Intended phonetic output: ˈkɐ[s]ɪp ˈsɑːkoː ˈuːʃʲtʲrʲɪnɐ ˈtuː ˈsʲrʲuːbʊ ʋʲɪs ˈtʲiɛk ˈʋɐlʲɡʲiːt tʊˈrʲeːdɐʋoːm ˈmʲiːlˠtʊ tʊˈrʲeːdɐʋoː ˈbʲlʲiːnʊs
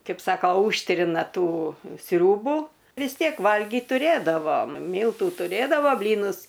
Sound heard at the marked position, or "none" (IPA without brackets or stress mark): none